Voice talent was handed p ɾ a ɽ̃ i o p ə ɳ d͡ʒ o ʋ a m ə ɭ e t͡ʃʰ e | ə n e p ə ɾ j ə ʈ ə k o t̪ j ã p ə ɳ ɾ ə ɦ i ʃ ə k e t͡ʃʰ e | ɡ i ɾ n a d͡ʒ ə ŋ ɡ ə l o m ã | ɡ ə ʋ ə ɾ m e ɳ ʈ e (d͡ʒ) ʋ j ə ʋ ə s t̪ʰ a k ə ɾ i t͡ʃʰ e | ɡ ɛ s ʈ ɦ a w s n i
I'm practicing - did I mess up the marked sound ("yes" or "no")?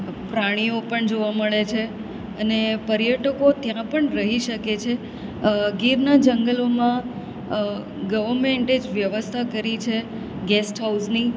no